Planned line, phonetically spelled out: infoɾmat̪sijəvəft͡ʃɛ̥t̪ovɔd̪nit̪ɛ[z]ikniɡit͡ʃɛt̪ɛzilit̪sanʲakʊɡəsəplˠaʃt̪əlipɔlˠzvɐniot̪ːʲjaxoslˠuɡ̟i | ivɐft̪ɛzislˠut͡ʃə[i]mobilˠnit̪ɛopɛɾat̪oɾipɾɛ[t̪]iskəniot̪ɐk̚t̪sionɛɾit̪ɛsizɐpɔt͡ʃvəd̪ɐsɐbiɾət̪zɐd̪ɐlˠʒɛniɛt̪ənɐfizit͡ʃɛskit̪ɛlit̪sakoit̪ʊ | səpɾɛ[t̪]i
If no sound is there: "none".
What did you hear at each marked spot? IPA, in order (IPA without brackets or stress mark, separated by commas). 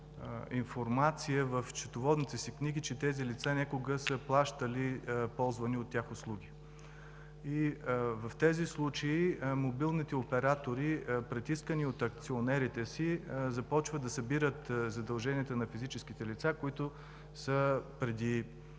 s, i, t̪, d̪